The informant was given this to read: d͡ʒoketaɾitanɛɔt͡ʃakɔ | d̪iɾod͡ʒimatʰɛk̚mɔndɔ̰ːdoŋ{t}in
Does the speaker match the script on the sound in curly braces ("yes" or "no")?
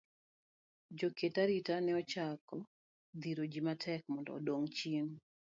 no